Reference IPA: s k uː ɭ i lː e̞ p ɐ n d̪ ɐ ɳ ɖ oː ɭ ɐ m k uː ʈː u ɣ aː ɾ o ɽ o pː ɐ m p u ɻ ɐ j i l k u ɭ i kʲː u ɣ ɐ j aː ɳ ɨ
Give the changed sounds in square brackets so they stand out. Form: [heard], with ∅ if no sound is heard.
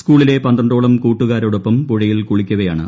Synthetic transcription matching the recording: s k uː ɭ i [l] e̞ p ɐ n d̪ ɐ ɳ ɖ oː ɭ ɐ m k uː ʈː u ɣ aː ɾ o ɽ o pː ɐ m p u ɻ ɐ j i l k u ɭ i kʲː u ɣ ɐ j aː ɳ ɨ